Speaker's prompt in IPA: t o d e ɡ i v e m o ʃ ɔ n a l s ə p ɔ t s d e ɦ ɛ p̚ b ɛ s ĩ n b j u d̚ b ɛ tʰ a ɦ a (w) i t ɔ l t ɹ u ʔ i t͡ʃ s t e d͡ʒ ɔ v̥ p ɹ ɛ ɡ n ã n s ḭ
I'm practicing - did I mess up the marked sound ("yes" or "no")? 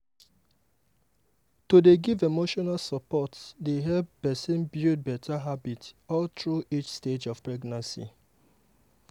yes